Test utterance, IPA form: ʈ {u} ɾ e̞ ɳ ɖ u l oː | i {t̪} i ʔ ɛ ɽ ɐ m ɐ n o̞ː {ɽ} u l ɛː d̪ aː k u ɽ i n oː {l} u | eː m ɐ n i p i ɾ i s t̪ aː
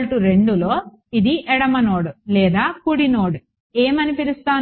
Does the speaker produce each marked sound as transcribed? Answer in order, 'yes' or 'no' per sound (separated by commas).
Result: yes, no, yes, no